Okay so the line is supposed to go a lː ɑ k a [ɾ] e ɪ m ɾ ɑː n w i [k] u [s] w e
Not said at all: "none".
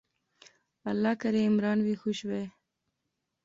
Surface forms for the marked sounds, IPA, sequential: ɾ, x, ʃ

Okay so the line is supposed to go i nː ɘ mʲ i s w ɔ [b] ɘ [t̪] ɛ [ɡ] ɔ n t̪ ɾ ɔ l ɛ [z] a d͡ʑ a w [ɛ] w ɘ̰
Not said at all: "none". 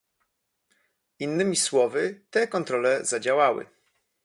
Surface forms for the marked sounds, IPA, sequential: v, t̪, k, z, a

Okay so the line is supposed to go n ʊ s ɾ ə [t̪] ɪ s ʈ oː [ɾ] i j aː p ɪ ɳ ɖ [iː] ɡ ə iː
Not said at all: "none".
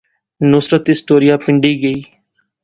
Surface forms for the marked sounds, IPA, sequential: t̪, ɾ, iː

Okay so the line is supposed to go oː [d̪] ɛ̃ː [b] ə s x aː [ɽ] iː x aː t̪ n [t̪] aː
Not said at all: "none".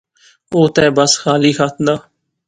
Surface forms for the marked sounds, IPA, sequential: t̪, b, l, d̪

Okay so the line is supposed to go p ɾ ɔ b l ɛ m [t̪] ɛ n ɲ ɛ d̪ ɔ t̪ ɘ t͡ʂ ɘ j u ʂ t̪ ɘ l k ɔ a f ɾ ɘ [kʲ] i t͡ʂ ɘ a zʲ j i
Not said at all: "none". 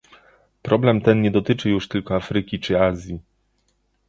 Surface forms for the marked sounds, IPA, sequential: t̪, kʲ

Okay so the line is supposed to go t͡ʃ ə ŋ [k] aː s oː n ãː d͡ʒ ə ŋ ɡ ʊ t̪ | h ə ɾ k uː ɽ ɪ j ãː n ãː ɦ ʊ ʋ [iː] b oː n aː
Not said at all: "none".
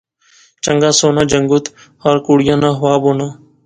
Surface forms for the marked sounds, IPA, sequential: ɡ, aː

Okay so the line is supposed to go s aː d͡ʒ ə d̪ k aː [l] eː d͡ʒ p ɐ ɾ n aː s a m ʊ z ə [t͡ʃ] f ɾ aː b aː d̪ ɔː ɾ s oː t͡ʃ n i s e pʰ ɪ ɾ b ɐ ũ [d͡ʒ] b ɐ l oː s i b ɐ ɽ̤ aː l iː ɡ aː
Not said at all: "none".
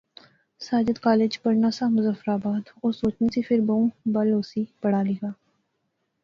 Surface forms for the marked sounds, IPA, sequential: l, none, none

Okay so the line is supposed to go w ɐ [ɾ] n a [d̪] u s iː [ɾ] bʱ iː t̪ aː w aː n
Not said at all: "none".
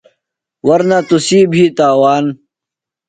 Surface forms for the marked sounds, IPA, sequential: ɾ, t̪, none

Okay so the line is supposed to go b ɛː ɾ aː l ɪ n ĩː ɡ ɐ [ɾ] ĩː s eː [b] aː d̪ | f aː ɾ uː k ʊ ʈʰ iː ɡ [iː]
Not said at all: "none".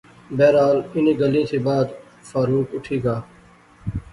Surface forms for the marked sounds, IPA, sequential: l, b, aː

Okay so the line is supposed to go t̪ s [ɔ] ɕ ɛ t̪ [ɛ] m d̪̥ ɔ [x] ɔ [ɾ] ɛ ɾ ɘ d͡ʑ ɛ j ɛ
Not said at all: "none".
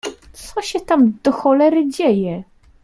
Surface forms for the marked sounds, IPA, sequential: ɔ, a, x, l

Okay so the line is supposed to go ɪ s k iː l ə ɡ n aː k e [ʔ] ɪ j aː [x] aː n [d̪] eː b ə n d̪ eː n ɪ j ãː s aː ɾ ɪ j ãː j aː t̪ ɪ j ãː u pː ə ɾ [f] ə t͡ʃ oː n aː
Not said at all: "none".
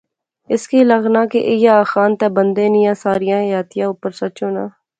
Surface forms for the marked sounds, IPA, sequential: ʔ, x, t̪, s

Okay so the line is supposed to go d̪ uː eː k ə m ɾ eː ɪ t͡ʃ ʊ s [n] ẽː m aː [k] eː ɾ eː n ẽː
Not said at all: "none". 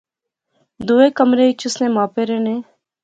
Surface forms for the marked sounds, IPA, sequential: n, p

